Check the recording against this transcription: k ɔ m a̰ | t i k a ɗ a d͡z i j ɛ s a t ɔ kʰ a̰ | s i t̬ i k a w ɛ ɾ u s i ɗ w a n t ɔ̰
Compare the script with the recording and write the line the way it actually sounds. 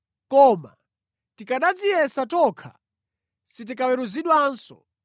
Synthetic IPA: k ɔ m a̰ | t i k a ɗ a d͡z i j ɛ s a t ɔ kʰ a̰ | s i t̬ i k a w ɛ ɾ u z i ɗ w a n s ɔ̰